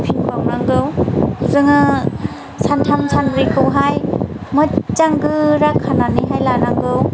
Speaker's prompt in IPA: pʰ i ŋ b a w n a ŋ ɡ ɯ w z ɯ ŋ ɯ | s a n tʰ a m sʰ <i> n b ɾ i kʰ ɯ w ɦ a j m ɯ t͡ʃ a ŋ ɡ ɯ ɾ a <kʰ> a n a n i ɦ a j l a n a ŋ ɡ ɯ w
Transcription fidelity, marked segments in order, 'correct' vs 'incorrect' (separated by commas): incorrect, correct